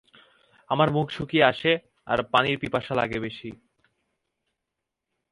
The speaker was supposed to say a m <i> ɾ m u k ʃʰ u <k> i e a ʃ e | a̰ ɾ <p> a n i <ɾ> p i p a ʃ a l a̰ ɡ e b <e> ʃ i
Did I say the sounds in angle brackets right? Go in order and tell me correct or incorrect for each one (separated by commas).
incorrect, correct, correct, correct, correct